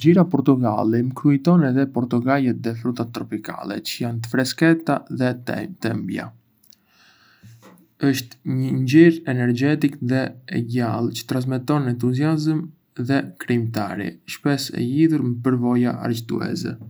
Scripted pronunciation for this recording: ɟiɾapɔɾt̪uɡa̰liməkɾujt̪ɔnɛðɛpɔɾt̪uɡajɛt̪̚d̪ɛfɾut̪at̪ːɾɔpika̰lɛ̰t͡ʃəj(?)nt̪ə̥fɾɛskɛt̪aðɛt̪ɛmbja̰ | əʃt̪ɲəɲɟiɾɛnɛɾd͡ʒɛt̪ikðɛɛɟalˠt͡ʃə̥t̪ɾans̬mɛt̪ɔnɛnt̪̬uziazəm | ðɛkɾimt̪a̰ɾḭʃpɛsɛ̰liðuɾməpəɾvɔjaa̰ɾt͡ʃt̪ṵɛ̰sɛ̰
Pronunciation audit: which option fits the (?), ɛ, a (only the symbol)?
a